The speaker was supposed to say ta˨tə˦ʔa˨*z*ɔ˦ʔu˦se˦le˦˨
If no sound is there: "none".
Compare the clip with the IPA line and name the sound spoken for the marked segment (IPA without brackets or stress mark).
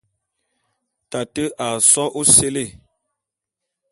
s